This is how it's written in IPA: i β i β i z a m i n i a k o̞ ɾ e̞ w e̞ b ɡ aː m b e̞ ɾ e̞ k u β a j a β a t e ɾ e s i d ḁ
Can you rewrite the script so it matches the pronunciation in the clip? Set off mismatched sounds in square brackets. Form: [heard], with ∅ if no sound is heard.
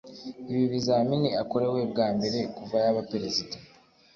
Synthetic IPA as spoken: i β i β i z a m i n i a k o̞ ɾ e̞ w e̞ b ɡ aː m b e̞ ɾ e̞ k u [v] a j a β a [p] e ɾ e [z] i d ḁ